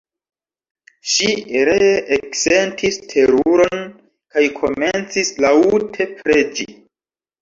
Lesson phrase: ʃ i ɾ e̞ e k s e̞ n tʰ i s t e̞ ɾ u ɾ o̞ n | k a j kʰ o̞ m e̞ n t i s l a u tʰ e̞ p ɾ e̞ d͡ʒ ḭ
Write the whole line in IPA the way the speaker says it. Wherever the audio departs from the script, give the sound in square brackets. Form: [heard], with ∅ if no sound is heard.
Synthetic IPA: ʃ i ɾ e̞ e k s e̞ n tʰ i s [tʰ] e̞ ɾ u ɾ o̞ n | k a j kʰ o̞ m e̞ n [t͡s] i s l a u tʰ e̞ p ɾ e̞ d͡ʒ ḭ